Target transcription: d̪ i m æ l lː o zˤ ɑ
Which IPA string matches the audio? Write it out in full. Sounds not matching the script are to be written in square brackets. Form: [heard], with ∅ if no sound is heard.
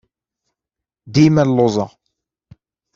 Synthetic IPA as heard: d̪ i m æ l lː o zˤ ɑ

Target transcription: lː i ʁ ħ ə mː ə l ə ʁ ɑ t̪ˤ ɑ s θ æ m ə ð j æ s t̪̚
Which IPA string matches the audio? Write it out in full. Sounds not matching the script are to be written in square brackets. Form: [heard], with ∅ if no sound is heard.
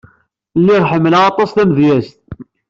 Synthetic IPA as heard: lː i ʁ ħ ə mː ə l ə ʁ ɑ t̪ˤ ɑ s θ æ m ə ð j æ s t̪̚

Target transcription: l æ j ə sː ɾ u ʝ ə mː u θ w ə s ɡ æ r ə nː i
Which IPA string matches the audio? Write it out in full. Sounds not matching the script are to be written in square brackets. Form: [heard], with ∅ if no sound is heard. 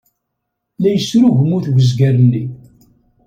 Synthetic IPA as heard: l æ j ə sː ɾ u ʝ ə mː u θ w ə [z] ɡ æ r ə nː i

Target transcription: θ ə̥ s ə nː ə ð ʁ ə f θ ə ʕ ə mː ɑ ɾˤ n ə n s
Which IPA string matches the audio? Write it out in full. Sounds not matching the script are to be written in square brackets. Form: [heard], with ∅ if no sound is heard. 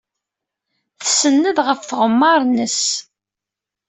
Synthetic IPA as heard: θ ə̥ s ə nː ə ð ʁ ə f θ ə [ʁ] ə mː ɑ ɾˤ n ə [∅] s

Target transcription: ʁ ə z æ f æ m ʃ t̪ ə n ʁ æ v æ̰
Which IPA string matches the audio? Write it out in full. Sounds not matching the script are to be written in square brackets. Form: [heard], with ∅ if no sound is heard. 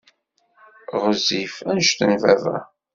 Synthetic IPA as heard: ʁ ə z [i] f æ [n] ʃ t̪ ə n [v] æ v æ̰

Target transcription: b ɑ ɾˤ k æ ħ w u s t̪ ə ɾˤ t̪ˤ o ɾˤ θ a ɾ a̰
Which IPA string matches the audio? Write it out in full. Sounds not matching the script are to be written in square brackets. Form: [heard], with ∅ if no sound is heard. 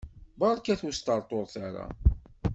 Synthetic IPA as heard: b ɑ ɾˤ k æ [θ] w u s t̪ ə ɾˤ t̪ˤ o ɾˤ θ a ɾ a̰

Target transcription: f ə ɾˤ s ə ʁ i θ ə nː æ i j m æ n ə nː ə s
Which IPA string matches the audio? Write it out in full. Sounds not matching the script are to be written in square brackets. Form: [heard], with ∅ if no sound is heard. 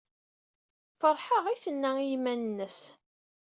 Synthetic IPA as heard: f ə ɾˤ [ħ] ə ʁ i θ ə nː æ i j m æ n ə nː ə s

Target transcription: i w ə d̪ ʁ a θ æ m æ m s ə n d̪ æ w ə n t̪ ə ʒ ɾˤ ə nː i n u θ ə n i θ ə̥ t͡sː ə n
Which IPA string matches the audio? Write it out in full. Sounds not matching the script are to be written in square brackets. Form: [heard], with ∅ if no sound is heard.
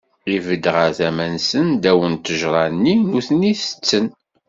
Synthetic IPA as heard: i [v] ə d̪ ʁ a θ æ m æ [n] s ə n d̪ æ w ə n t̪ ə ʒ ɾˤ [ɑ] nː i n u θ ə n i θ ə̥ t͡sː ə n

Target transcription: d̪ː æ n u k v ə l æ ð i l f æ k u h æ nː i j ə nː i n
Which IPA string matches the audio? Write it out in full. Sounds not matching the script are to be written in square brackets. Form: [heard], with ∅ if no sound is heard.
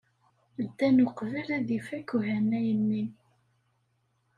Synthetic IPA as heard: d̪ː æ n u [q] v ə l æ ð i [∅] f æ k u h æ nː [æ] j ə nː i n

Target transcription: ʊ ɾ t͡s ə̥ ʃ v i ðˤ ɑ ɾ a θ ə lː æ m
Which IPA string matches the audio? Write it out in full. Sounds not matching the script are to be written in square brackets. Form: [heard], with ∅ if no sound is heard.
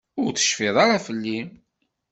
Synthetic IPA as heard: ʊ ɾ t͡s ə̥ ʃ [f] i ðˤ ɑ ɾ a [f] ə lː [i] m

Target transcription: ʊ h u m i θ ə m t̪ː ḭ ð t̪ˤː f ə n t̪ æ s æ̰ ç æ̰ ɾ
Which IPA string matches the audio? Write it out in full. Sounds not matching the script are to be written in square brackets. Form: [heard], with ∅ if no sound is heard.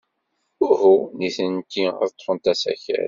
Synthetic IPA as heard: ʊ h u [n] i θ ə [n] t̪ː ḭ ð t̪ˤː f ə n t̪ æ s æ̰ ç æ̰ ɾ

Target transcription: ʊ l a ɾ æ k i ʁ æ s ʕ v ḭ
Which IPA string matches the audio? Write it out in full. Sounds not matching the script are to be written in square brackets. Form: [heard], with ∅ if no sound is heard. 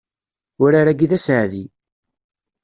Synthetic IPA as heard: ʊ [ɾ] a ɾ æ [ɡ] i [ð] æ s ʕ [ð] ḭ

